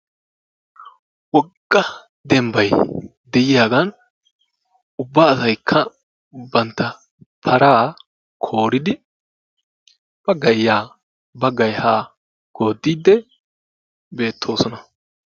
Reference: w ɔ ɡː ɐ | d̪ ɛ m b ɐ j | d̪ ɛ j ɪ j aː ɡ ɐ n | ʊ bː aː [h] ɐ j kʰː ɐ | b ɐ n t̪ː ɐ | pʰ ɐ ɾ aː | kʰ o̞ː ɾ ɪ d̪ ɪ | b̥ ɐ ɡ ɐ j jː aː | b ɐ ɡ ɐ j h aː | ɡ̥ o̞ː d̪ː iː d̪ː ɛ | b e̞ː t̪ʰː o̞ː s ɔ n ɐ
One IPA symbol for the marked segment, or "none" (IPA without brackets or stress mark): s